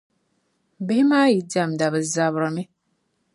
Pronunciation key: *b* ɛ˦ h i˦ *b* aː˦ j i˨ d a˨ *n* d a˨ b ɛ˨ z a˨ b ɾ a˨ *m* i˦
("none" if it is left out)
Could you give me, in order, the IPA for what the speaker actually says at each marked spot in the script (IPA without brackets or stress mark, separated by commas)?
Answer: b, m, m, m